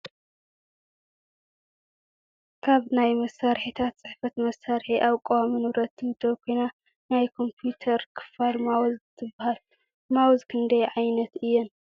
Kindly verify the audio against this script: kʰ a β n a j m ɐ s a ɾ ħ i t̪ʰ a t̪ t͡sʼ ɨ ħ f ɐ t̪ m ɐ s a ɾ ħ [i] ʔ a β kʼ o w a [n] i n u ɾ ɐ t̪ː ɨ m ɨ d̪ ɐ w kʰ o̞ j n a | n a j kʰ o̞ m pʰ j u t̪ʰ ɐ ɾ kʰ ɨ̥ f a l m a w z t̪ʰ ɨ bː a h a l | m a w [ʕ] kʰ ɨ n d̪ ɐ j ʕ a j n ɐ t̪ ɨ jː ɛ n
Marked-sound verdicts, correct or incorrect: correct, incorrect, incorrect

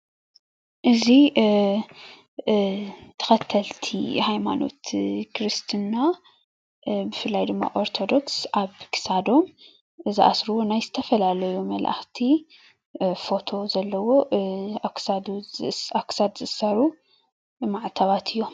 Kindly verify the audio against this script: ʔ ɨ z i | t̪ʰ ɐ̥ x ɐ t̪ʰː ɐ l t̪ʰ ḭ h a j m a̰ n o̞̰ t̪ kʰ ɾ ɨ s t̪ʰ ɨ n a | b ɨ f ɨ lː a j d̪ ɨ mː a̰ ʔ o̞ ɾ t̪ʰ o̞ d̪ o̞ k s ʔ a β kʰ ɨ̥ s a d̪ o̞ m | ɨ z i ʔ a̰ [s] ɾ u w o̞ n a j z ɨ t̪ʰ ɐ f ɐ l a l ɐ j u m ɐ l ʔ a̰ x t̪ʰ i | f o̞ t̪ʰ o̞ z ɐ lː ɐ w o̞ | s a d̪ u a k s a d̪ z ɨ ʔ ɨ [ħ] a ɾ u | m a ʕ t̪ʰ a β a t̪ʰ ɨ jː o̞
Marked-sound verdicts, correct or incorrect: correct, incorrect

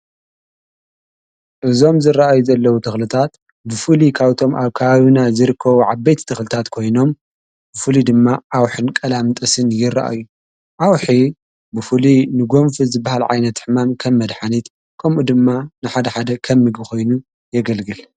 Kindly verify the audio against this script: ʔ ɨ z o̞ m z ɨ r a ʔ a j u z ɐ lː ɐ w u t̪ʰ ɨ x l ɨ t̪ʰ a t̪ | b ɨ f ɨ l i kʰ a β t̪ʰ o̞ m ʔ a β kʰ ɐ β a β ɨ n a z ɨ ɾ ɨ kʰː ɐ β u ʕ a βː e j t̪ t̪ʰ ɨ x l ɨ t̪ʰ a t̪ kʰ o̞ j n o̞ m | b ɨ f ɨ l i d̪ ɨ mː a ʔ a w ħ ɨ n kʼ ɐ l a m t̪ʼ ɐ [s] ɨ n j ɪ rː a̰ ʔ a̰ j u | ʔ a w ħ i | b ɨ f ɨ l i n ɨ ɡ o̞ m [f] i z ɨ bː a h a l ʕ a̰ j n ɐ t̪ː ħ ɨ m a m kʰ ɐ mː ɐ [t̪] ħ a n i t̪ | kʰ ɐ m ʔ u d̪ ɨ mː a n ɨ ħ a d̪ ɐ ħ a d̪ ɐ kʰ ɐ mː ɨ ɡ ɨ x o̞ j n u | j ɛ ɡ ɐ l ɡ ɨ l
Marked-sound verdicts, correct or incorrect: correct, correct, incorrect

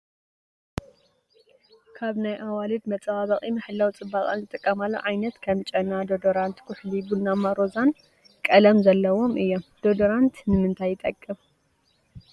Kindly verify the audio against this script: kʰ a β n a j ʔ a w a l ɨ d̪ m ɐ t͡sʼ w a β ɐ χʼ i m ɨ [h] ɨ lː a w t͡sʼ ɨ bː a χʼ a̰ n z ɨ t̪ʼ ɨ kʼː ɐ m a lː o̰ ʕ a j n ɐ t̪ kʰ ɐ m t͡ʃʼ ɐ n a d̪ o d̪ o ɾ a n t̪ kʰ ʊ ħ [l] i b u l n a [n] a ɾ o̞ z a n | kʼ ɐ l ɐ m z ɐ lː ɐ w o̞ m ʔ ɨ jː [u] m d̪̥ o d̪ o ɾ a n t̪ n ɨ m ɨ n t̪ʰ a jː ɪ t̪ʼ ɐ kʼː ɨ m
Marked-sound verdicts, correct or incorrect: incorrect, correct, incorrect, incorrect

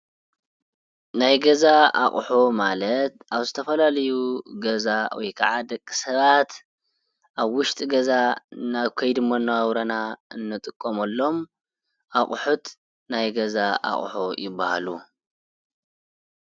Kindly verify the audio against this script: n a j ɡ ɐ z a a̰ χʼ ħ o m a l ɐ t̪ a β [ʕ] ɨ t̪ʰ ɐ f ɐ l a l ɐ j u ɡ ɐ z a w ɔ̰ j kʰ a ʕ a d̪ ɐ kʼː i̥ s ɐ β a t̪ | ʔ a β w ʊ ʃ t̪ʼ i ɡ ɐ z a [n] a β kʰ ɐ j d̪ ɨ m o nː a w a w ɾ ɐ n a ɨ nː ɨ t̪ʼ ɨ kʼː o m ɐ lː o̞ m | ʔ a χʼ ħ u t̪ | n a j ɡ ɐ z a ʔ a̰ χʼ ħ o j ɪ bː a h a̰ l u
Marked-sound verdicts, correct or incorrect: incorrect, correct

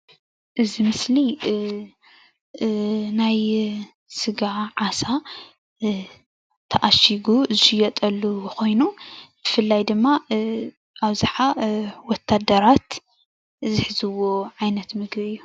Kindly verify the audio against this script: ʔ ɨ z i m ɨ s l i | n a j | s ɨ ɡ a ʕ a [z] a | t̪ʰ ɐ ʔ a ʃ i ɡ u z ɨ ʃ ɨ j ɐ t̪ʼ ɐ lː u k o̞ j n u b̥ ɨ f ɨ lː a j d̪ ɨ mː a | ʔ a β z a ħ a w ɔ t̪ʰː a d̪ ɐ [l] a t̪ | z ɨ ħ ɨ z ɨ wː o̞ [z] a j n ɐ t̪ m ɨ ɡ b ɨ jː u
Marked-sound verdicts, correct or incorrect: incorrect, incorrect, incorrect

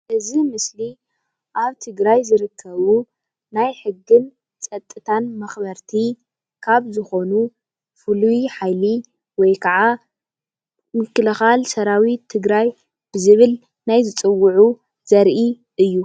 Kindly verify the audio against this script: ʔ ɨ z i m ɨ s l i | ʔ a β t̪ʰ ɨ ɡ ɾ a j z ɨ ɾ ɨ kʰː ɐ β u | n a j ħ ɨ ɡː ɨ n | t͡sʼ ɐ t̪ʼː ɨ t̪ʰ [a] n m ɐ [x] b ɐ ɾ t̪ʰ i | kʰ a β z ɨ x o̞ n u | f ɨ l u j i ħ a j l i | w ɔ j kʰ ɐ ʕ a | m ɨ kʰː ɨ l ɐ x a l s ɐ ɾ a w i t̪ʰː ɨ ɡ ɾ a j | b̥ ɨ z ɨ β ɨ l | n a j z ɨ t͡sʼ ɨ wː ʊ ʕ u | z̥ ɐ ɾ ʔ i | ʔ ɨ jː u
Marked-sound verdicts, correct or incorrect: correct, correct

